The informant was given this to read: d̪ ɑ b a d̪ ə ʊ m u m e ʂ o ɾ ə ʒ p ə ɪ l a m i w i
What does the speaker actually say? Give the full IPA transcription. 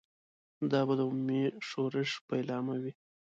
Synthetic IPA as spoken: d̪ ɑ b a d̪ ə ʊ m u m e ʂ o ɾ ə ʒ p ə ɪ l ɑ m a w i